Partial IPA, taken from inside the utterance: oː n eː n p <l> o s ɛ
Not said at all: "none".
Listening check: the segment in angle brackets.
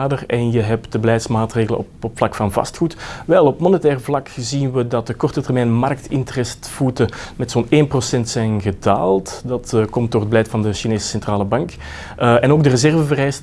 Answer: r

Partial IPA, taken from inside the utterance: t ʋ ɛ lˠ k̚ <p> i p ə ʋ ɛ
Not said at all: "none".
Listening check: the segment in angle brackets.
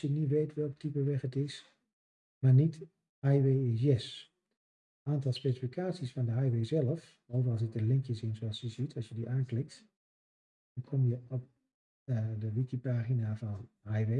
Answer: t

